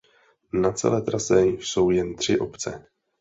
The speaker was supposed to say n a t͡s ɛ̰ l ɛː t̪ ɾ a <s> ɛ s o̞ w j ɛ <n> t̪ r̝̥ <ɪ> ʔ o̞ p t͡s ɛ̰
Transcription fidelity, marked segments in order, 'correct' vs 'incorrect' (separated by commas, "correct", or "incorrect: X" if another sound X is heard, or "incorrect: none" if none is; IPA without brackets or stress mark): correct, correct, correct